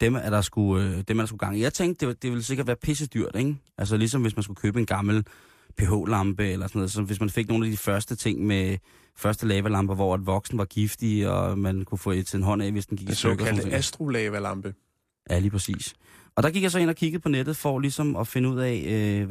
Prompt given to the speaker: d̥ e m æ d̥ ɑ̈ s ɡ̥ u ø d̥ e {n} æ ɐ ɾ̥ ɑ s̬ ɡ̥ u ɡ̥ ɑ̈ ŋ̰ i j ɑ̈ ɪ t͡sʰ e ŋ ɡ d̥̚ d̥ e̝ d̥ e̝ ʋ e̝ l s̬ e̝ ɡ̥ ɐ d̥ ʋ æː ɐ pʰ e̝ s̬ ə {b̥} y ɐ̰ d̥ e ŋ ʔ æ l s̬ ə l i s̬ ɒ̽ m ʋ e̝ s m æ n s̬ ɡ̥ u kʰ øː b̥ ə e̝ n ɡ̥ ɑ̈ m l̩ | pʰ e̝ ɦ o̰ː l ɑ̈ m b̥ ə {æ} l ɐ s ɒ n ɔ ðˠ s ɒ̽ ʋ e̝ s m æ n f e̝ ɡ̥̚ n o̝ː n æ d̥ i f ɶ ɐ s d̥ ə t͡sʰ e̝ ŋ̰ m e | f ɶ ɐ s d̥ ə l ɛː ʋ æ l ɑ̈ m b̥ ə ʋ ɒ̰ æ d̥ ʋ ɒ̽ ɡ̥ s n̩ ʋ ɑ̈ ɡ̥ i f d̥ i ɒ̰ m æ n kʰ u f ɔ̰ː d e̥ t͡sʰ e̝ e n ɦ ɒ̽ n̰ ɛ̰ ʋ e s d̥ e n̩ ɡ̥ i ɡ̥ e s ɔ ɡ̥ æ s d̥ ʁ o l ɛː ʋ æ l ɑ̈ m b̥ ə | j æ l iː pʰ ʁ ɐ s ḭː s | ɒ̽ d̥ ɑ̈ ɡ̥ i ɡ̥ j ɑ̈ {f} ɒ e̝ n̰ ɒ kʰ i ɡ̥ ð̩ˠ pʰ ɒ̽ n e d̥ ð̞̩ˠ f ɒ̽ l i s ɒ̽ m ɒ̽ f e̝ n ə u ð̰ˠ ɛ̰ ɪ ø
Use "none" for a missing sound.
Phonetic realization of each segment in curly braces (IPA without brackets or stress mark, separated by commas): m, d̥, e, s